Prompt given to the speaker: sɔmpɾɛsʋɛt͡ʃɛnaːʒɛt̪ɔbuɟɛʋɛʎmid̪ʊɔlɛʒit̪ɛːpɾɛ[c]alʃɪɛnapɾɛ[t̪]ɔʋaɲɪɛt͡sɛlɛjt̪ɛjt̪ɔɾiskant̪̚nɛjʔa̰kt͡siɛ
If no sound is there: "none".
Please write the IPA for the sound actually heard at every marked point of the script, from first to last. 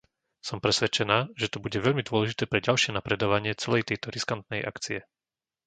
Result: ɟ, d̪

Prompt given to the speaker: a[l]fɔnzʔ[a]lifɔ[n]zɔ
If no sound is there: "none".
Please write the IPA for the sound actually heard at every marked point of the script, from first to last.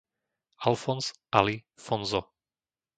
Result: l, a, n

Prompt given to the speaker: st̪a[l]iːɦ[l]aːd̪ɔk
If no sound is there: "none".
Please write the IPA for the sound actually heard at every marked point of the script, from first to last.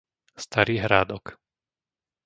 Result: ɾ, ɾ

